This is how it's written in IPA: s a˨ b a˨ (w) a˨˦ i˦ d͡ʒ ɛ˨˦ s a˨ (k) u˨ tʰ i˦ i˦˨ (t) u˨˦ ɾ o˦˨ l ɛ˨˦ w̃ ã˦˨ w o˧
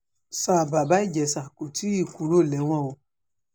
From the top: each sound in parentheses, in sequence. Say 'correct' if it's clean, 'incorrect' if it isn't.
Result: incorrect, correct, incorrect

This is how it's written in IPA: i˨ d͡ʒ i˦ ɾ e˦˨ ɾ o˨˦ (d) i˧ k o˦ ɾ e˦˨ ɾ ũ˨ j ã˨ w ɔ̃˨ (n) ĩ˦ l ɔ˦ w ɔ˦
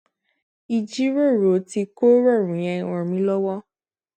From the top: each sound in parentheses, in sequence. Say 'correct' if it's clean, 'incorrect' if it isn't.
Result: incorrect, incorrect

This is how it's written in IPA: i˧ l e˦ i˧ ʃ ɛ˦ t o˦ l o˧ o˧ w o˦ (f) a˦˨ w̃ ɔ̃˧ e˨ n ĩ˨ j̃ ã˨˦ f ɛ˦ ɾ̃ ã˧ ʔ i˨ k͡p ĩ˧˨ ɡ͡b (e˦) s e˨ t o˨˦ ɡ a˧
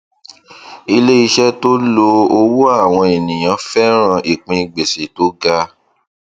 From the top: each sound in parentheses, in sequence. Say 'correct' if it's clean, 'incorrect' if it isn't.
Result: incorrect, incorrect

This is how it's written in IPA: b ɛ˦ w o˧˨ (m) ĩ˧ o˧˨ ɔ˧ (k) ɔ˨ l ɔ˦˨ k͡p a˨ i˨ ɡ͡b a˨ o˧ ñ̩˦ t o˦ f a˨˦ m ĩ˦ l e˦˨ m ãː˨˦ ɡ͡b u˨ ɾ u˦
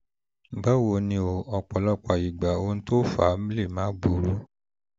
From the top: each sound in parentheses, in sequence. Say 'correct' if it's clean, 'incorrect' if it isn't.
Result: incorrect, incorrect

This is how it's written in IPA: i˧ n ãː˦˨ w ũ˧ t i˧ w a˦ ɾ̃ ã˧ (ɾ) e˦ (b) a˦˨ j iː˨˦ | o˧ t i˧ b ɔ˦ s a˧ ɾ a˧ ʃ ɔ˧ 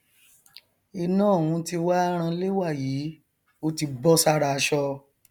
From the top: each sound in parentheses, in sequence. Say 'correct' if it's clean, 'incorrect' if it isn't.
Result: incorrect, incorrect

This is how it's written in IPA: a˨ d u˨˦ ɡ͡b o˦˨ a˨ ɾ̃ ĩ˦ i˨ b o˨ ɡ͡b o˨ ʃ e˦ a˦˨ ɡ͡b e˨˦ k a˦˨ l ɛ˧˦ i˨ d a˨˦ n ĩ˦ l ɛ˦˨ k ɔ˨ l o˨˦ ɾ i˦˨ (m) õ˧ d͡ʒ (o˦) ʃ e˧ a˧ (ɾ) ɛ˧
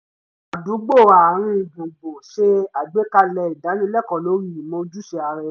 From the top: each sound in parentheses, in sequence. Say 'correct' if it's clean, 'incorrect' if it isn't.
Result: correct, incorrect, correct

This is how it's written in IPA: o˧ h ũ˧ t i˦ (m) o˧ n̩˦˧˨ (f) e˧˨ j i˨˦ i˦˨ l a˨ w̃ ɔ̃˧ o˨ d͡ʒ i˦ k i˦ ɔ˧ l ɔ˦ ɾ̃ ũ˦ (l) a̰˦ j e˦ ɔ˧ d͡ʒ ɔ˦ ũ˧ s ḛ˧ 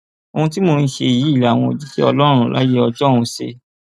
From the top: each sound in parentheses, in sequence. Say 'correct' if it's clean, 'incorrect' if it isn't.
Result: correct, incorrect, correct

